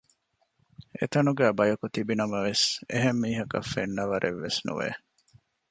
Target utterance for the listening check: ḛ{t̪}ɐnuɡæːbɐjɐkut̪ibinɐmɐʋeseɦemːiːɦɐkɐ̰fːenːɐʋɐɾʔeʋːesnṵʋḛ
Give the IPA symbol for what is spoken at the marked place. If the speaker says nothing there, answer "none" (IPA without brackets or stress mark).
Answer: t̪